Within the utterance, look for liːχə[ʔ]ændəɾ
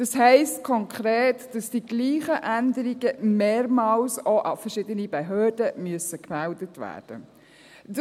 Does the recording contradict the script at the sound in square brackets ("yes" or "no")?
no